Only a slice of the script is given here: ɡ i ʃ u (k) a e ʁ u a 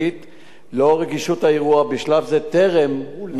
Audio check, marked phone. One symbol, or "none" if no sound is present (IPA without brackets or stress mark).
t